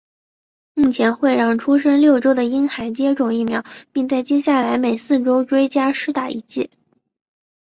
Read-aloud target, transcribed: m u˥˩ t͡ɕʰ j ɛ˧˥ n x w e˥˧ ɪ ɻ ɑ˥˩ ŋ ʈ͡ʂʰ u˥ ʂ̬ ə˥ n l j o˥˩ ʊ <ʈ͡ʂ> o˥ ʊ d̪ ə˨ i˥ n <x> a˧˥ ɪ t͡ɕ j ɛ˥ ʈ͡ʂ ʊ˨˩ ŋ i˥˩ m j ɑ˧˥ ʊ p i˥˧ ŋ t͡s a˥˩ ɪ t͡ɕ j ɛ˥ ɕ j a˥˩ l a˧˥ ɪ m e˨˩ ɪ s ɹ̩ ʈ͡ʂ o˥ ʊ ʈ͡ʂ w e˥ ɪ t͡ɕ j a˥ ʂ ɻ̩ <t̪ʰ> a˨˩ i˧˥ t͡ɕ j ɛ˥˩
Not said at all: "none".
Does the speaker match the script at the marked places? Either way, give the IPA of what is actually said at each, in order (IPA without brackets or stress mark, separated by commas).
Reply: ʈ͡ʂ, x, t̪